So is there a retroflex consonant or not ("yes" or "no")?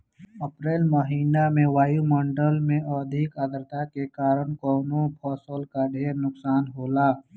yes